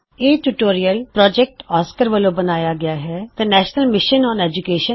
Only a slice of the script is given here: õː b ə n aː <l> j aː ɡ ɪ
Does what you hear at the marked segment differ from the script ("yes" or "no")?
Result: yes